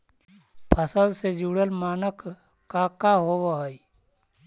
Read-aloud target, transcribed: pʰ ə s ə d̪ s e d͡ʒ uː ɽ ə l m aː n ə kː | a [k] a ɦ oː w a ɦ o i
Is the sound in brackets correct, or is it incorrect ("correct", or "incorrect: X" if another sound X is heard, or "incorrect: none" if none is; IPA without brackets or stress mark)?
correct